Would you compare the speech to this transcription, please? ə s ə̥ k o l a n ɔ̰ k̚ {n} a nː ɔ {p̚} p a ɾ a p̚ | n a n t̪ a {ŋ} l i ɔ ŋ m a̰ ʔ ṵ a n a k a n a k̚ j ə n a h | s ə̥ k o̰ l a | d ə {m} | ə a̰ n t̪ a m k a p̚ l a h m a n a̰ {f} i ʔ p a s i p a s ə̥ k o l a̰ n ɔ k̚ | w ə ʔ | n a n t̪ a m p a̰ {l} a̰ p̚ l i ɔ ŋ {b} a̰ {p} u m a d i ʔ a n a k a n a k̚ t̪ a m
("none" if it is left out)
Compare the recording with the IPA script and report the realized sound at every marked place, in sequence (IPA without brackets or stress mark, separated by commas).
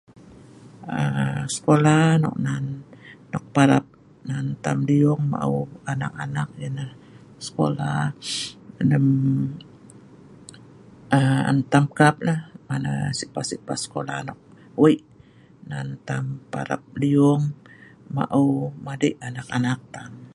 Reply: n, k̚, m, m, s, ɾ, m, ʔ